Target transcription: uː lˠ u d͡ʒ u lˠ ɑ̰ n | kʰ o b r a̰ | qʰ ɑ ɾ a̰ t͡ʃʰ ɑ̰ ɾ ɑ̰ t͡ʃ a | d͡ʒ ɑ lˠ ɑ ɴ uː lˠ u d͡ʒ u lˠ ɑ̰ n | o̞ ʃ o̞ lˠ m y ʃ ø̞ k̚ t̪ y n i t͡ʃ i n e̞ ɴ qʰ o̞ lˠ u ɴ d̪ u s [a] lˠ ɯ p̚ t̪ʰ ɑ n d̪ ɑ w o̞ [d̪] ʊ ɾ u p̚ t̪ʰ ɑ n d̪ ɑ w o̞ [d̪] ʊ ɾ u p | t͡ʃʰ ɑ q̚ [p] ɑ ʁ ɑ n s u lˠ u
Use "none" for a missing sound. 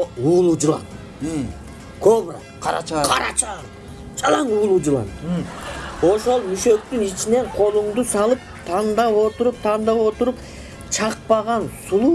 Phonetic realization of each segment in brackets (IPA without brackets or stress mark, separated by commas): ɑ, t̪, t̪, p